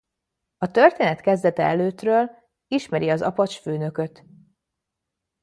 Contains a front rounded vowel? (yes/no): yes